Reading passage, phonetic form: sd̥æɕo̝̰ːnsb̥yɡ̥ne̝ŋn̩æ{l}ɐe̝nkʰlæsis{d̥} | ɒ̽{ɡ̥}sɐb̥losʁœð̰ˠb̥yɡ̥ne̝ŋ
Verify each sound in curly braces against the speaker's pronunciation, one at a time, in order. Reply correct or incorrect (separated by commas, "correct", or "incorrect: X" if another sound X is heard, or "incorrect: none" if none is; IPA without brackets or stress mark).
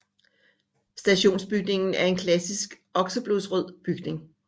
incorrect: none, incorrect: ɡ̥, correct